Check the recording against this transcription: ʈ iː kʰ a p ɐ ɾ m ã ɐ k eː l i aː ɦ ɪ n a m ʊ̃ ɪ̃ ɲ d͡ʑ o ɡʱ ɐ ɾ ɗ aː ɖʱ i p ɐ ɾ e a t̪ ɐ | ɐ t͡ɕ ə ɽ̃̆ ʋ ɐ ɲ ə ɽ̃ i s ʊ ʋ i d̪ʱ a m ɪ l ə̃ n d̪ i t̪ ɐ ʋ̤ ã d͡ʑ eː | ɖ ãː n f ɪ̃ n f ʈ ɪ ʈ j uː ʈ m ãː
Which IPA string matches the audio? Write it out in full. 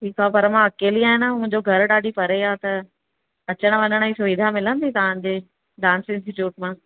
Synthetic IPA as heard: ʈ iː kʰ a p ɐ ɾ m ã ɐ k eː l i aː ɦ ɪ n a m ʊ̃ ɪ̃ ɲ d͡ʑ o ɡʱ ɐ ɾ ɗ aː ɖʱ i p ɐ ɾ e a t̪ ɐ | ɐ t͡ɕ ə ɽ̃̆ ʋ ɐ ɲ ə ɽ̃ i s ʊ ʋ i d̪ʱ a m ɪ l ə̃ n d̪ i t̪ ɐ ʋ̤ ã d͡ʑ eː | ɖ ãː n s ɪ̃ n s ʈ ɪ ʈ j uː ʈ m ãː